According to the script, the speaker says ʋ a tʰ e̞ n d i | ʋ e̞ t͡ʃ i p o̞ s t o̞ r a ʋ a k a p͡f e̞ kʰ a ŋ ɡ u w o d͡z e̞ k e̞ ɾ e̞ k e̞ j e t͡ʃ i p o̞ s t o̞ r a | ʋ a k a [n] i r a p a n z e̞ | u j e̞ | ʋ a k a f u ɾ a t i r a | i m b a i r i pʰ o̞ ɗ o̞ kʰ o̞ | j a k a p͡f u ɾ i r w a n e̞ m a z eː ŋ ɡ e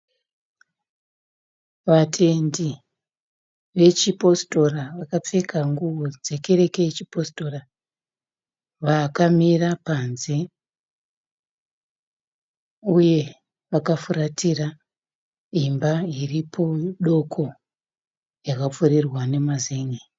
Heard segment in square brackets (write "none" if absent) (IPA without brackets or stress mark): m